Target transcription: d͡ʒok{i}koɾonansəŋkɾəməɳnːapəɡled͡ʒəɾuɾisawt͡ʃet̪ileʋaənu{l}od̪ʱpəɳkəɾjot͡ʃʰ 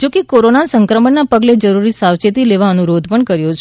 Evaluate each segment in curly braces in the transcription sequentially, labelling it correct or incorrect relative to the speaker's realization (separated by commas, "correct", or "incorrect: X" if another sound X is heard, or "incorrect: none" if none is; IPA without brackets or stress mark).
incorrect: e, incorrect: ɾ